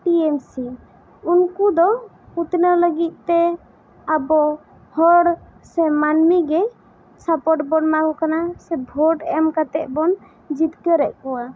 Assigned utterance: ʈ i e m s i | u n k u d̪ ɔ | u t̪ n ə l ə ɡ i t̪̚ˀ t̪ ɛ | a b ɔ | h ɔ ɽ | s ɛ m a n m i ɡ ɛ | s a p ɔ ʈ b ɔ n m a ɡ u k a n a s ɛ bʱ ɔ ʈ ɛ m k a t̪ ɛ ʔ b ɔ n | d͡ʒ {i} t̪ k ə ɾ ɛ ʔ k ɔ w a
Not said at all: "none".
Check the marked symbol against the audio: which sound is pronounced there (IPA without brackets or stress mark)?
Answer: i